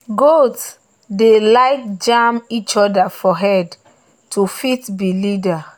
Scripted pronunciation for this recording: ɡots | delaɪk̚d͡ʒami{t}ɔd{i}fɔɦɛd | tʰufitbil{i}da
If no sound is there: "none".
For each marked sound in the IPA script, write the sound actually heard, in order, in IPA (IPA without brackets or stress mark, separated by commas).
t͡ʃ, a, i